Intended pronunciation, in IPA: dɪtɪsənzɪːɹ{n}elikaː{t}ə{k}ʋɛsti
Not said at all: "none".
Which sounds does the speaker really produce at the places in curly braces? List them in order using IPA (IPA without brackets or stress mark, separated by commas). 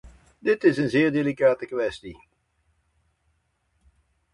d, t, k